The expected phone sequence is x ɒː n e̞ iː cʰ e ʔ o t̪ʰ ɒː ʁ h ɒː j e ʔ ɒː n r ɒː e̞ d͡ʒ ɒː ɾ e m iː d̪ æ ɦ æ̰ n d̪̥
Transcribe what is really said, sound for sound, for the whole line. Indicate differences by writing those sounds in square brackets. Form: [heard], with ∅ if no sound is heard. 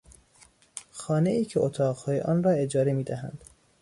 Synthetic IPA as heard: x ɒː n e̞ iː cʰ e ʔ o t̪ʰ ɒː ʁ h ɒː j e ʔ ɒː n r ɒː e̞ d͡ʒ ɒː ɾ e m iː d̪ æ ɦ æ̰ n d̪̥